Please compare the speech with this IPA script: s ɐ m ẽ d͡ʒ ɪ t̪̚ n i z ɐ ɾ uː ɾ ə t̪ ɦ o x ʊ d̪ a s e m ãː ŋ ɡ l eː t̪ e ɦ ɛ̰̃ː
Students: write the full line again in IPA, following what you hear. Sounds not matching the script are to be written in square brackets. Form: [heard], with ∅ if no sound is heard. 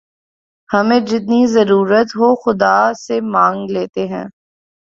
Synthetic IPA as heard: [h] ɐ m ẽ d͡ʒ ɪ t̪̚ n i z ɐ ɾ uː ɾ ə t̪ ɦ o x ʊ d̪ a s e m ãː ŋ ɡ l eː t̪ e ɦ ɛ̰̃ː